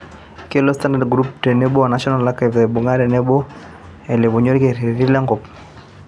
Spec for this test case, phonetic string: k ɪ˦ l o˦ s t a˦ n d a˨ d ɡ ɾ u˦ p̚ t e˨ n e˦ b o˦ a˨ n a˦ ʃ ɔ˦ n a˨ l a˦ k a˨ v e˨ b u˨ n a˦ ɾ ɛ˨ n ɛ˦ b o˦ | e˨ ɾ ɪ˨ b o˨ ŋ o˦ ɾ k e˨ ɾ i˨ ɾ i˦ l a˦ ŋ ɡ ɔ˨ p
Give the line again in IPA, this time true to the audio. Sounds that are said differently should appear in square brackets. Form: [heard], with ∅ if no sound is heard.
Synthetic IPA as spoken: k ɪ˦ l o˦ s t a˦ n d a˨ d ɡ ɾ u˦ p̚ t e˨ n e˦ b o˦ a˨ n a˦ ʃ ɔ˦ n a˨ l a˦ k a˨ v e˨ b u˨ [ŋ] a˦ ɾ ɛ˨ n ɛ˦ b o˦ | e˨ [l] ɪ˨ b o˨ [ɲ] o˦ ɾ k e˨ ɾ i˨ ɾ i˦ l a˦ ŋ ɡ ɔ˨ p